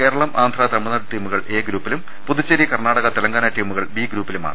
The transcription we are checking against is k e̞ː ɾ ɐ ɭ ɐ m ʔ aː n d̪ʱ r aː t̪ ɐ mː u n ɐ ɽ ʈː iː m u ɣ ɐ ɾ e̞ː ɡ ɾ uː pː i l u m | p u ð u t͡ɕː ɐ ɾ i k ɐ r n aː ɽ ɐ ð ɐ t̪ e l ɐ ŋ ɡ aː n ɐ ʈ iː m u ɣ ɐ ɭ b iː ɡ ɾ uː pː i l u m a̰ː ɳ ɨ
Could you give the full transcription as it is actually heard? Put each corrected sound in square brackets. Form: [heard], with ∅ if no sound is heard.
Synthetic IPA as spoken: k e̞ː ɾ ɐ ɭ ɐ m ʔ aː n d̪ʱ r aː t̪ ɐ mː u n ɐ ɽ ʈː iː m u ɣ ɐ [ɭ] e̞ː ɡ ɾ uː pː i l u m | p u ð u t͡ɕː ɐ ɾ i k ɐ r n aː ɽ ɐ [ɣ] ɐ t̪ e l ɐ ŋ ɡ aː n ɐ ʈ iː m u ɣ ɐ ɭ b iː ɡ ɾ uː pː i l u m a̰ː ɳ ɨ